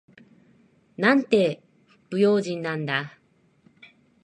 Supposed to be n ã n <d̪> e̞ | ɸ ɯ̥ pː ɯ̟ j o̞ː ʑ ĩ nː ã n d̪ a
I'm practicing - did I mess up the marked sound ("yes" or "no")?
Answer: yes